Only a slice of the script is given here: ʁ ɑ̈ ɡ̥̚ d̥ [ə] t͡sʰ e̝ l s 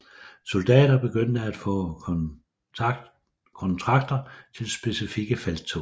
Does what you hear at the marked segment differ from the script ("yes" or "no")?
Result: yes